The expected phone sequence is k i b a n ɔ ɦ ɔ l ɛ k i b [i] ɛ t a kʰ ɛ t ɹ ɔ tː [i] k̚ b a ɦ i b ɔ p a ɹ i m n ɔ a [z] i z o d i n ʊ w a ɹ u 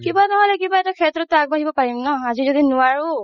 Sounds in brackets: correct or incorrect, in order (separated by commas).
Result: incorrect, incorrect, correct